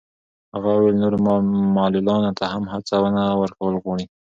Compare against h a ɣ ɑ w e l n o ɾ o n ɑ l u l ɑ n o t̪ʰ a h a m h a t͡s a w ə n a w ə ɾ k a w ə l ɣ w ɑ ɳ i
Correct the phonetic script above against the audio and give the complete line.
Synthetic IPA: h a ɣ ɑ w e l n o ɾ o m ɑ l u l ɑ n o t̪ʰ a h a m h a t͡s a w ə n a w ə ɾ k a w ə l ɣ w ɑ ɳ i